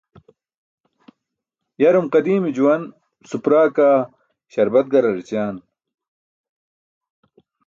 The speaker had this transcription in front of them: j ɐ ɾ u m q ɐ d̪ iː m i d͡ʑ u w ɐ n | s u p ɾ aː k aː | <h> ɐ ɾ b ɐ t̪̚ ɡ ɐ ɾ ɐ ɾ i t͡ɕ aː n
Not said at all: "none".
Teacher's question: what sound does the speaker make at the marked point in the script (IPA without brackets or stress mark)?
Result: ɕ